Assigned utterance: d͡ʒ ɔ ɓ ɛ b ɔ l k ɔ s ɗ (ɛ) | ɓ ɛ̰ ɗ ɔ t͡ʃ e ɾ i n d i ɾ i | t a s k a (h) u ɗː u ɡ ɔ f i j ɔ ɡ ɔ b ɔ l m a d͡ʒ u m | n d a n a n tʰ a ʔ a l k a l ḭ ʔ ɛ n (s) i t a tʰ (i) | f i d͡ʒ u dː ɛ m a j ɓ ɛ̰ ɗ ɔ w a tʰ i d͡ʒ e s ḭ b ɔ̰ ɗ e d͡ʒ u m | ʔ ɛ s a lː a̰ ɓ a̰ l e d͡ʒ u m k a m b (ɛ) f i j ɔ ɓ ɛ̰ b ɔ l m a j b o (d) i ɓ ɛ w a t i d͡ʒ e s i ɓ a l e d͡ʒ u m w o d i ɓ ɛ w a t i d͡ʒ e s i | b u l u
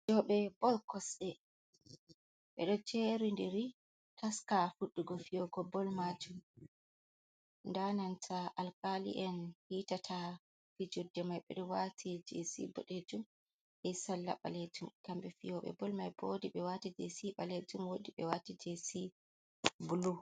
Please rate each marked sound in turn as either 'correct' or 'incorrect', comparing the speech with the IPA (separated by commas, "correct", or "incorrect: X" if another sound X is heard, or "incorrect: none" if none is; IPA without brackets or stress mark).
correct, incorrect: f, incorrect: h, incorrect: a, correct, correct